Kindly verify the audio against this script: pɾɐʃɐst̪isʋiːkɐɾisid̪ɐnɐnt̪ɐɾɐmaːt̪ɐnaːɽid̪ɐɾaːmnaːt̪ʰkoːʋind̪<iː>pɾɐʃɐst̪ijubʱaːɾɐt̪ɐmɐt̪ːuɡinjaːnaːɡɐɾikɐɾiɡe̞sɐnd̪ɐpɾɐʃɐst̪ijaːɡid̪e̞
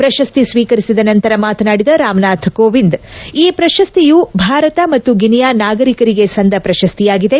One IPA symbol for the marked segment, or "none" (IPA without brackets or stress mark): iː